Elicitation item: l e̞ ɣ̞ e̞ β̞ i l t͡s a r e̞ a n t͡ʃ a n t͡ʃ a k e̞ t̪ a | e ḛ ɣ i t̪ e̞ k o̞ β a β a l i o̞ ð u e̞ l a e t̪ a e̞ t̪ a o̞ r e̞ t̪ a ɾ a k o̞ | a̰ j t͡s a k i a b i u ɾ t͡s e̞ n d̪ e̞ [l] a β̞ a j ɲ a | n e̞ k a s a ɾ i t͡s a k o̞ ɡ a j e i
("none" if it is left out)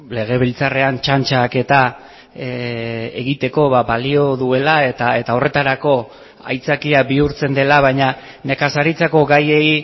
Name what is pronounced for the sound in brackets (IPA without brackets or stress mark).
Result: l